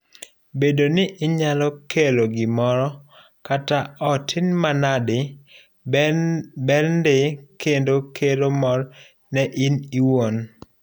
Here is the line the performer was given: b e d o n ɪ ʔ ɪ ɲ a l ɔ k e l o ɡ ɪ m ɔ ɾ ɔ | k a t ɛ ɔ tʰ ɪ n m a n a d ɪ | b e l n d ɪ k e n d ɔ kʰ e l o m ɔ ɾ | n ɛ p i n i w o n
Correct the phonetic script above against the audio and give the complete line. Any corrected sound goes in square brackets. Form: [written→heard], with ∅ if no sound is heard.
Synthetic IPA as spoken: b e d o n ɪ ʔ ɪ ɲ a l ɔ k e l o ɡ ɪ m ɔ ɾ ɔ | k a t [ɛ→a] ɔ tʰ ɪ n m a n a d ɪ | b [e→ɛ] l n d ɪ k e n d [ɔ→o] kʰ e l o m ɔ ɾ | n ɛ [p→ʔ] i n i w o n